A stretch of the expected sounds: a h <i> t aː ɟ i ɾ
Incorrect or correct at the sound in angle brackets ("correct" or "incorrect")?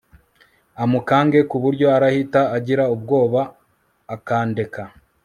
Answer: correct